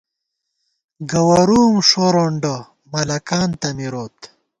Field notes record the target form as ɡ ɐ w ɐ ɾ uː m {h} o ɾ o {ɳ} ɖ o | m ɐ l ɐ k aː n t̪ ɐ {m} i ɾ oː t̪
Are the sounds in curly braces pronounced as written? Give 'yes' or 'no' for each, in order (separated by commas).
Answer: no, yes, yes